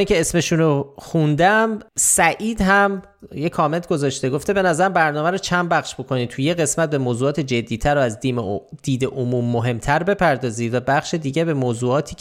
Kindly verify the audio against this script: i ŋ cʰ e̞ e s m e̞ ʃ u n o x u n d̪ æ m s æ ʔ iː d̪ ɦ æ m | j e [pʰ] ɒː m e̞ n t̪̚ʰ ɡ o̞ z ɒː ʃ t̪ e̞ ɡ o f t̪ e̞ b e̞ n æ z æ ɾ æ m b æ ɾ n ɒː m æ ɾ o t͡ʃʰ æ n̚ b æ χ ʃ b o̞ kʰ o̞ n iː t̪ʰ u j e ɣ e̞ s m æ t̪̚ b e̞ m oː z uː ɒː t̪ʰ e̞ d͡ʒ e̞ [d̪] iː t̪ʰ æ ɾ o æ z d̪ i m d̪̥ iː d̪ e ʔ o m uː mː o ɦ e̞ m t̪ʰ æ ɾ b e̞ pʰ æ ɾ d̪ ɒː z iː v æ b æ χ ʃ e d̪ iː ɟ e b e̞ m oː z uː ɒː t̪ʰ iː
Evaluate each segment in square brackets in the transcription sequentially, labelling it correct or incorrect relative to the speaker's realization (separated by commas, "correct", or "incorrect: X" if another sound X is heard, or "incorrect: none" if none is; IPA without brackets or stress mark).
incorrect: kʰ, incorrect: d̪ː